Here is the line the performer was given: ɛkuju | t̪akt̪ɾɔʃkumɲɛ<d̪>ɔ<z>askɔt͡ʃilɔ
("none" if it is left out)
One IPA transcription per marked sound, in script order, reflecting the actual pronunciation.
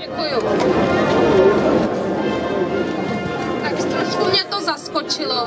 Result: t̪, z

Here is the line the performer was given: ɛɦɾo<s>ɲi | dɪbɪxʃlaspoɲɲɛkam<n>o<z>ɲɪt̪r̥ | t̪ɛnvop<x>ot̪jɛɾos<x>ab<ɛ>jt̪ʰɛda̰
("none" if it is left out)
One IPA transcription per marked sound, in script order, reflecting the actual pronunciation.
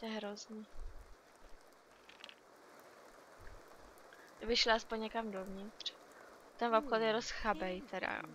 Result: z, d, v, x, x, ɛ

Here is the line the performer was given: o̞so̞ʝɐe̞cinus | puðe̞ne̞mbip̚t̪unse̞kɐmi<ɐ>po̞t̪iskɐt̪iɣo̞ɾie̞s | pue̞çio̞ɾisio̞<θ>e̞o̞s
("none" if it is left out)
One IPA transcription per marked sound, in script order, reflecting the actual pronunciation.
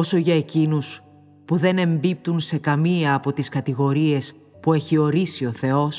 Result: ɐː, θ

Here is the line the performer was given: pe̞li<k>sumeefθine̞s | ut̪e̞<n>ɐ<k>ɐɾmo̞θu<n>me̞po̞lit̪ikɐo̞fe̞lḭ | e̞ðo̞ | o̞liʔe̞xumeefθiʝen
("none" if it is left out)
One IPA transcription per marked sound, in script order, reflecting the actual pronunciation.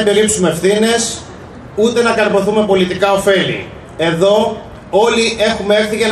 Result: p, n, k, none

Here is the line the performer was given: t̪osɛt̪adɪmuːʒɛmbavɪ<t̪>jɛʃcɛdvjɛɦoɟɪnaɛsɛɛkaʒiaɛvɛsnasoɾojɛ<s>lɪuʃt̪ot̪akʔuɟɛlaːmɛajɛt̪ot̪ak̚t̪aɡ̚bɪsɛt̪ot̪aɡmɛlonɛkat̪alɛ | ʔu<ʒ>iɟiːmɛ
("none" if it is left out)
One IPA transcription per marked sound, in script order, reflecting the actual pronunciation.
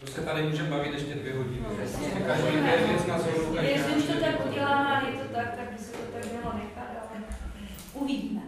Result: t̪, s, v

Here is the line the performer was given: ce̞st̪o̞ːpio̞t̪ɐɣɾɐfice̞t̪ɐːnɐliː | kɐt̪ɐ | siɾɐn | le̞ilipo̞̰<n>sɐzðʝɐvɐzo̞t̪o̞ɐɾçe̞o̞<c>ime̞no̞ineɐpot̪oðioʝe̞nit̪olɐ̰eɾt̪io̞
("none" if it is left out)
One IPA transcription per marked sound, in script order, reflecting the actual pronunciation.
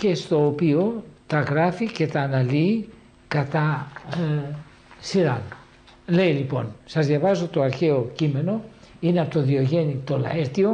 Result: n, c

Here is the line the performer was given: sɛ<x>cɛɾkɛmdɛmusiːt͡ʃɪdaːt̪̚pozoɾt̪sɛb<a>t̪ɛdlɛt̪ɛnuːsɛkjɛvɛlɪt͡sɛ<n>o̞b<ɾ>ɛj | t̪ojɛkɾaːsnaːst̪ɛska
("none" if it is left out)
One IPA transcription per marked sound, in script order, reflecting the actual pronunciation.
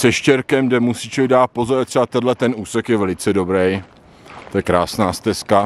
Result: ʃ, a, d, ɾ

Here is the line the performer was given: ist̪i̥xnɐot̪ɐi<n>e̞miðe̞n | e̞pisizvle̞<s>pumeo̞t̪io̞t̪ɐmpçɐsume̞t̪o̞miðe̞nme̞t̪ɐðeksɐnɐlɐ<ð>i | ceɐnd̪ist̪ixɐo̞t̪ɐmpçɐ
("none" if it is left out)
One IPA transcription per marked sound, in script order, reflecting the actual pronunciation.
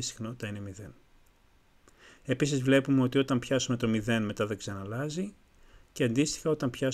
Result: n, none, z

